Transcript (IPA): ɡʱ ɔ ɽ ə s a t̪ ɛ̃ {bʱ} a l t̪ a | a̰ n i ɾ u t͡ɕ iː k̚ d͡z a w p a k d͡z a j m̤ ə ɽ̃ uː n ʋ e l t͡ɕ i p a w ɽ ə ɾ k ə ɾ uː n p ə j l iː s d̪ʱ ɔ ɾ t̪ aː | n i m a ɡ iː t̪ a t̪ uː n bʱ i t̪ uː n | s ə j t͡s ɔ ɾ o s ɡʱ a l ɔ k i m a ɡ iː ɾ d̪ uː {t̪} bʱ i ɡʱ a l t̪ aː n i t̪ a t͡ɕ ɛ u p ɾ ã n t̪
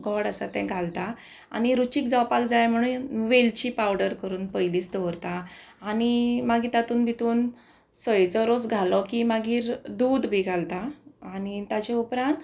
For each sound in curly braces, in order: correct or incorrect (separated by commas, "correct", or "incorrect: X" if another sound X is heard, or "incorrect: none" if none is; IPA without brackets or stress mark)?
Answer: incorrect: ɡʱ, incorrect: d̪